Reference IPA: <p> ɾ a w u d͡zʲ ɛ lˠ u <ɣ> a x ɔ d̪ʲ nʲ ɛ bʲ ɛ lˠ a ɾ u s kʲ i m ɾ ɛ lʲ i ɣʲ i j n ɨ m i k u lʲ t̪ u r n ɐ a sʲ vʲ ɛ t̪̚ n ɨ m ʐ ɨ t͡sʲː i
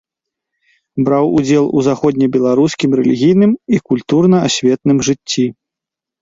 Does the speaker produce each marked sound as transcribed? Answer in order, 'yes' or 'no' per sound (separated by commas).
no, no